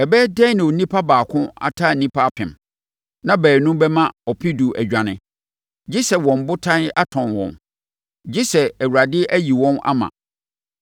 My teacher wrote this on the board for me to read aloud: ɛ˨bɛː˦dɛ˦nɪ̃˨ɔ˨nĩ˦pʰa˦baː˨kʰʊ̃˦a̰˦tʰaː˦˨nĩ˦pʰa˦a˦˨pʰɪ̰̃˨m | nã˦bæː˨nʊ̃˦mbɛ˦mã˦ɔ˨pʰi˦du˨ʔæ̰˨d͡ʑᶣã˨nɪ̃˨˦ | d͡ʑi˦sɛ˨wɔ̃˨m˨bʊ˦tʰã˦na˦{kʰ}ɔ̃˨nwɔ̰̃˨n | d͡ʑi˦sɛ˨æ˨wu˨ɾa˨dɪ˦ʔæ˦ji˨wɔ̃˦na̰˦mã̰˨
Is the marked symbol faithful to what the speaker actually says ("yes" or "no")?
no